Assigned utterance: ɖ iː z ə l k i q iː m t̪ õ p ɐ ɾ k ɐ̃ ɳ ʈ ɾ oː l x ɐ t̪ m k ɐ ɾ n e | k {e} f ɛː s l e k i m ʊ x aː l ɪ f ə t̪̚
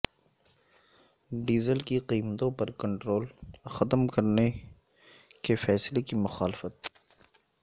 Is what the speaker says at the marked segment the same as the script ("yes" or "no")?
yes